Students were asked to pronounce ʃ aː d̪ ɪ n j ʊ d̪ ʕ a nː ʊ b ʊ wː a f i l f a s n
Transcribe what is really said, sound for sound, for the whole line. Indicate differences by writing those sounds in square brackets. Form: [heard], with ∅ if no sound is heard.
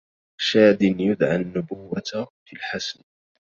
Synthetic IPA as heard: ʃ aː d̪ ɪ n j ʊ d̪ ʕ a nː ʊ b ʊ wː a f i l [ħ] a s n